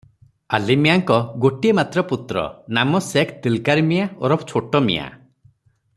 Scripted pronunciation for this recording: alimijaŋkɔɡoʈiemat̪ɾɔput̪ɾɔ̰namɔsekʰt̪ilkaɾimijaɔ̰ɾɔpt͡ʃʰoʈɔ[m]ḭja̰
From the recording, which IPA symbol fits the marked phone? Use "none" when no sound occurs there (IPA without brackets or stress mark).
m